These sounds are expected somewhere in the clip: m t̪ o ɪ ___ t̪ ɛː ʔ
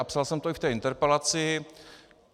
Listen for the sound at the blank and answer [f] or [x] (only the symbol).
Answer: f